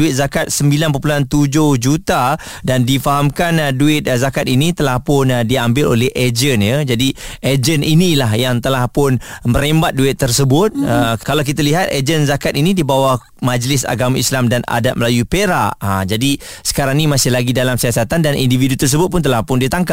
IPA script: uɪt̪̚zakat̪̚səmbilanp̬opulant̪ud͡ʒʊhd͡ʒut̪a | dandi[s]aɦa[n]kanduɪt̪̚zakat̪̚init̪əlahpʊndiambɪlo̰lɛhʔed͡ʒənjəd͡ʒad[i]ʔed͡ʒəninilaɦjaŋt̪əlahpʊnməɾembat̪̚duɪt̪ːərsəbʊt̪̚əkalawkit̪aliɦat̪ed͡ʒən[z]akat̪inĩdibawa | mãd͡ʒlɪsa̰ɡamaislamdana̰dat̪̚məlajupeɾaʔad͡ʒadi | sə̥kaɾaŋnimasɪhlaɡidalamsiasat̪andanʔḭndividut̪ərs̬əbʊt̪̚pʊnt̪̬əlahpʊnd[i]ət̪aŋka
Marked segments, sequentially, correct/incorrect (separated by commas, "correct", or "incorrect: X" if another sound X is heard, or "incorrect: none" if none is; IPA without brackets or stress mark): incorrect: f, incorrect: m, correct, correct, correct